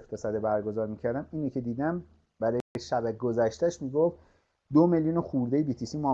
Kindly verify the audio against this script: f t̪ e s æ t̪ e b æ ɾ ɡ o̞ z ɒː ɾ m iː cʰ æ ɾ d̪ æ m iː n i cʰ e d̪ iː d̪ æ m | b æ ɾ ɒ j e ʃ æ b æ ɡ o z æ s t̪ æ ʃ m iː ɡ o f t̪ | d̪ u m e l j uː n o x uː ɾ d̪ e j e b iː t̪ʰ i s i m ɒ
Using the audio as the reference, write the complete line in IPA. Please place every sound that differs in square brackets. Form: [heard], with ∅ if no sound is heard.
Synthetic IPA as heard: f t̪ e s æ [d̪] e b æ ɾ ɡ o̞ z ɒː ɾ m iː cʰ æ ɾ d̪ æ m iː n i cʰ e d̪ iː d̪ æ m | b æ ɾ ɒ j e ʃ æ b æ ɡ o z æ [ʃ] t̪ æ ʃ m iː ɡ o f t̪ | d̪ [o] m e l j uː n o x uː ɾ d̪ e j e b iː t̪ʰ i s i m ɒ